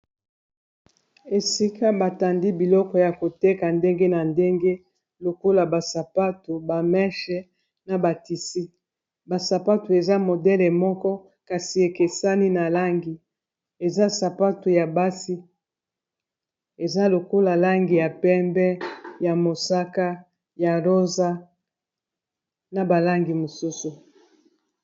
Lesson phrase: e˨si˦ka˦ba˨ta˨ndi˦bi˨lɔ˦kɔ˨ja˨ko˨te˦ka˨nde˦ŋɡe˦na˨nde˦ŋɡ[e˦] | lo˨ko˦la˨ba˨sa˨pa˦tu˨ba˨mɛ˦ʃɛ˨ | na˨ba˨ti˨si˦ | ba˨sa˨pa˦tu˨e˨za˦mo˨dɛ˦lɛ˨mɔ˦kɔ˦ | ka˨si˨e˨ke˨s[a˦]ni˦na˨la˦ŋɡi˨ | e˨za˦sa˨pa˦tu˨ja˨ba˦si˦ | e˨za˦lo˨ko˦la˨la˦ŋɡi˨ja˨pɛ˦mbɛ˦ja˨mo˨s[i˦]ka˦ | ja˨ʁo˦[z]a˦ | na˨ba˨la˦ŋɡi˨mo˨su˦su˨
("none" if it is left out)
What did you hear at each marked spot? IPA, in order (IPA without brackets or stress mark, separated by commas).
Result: e˦, a˦, a˦, z